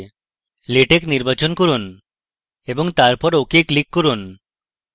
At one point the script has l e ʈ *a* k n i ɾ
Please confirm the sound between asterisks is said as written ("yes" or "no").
no